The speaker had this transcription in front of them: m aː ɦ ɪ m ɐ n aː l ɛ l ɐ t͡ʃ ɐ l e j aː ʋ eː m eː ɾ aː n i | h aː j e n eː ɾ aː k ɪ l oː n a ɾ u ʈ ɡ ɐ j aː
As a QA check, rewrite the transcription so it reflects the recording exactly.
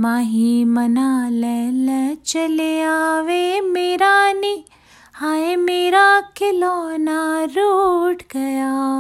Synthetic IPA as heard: m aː ɦ i m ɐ n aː l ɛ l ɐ t͡ʃ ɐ l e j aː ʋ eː m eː ɾ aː n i | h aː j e m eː ɾ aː k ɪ l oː n a ɾ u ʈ ɡ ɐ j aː